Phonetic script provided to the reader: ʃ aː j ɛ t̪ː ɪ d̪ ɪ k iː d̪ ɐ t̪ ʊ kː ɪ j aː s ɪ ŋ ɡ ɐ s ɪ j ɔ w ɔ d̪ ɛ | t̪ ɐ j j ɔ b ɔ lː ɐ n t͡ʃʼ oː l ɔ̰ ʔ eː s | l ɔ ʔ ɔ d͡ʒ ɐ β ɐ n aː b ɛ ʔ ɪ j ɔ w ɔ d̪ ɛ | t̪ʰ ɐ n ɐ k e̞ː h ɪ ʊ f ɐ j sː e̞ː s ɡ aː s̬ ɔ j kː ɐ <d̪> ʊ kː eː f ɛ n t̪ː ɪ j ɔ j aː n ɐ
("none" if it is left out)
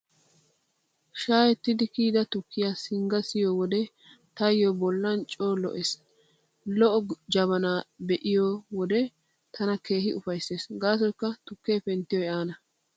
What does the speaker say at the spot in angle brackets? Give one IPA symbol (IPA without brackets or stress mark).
t̪